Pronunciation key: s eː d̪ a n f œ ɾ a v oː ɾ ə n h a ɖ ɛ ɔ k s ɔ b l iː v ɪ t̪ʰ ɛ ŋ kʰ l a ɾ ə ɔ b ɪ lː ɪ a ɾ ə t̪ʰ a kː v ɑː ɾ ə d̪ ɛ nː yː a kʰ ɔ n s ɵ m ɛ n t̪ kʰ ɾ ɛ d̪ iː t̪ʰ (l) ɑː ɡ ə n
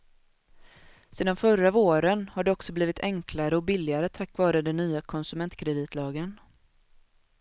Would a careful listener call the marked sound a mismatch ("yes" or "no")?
no